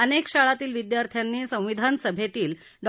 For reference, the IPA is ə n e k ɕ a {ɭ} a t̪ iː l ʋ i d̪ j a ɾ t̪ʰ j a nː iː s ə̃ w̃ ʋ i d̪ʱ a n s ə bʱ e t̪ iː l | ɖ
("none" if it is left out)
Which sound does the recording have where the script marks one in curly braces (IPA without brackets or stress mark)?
ɭ